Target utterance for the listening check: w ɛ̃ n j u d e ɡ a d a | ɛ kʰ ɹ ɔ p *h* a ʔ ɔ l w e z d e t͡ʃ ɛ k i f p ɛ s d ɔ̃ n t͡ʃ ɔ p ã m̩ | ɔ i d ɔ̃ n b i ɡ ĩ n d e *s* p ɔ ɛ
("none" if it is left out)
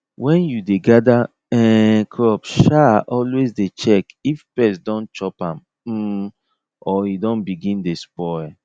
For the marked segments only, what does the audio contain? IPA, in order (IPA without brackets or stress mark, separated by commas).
ʃ, s